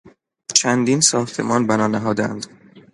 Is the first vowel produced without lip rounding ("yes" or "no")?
yes